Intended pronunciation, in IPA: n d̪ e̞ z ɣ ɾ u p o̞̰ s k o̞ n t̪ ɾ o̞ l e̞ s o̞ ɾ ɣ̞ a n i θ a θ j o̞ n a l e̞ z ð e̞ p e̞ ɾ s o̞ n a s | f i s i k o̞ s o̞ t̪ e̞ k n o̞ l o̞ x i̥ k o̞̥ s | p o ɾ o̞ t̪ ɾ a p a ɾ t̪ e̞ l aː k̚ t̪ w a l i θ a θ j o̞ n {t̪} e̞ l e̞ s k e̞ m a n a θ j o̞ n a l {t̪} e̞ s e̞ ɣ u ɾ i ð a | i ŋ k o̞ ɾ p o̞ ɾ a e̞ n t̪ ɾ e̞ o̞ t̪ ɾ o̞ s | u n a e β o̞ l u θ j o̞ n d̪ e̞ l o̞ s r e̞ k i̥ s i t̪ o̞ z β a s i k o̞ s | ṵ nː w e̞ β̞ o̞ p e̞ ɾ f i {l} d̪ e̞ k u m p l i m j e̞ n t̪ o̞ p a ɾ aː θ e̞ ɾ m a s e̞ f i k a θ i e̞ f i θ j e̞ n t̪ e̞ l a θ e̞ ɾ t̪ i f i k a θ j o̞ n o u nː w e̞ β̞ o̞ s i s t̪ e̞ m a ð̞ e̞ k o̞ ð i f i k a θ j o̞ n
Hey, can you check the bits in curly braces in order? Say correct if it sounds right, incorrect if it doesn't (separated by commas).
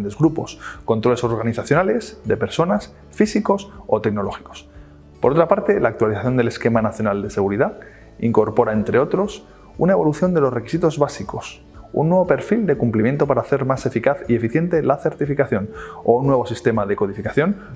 incorrect, incorrect, correct